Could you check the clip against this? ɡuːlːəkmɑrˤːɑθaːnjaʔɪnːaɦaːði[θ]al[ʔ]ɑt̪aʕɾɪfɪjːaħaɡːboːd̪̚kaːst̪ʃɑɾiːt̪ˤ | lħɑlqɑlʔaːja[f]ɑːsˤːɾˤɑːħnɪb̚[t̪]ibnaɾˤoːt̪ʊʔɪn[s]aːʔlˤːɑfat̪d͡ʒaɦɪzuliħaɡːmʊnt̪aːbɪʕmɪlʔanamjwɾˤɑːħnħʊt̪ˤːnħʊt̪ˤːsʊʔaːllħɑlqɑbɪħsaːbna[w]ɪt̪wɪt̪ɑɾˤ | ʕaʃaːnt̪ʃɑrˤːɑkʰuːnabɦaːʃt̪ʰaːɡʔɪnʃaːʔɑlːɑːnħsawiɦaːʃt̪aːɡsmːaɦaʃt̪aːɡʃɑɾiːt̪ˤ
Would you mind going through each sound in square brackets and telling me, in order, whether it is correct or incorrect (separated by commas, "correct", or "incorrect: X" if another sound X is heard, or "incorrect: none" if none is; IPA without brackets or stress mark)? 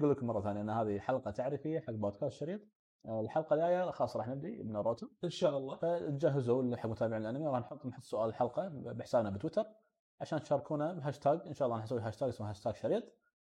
incorrect: ħ, incorrect: q, incorrect: x, incorrect: d̪, incorrect: ʃ, incorrect: b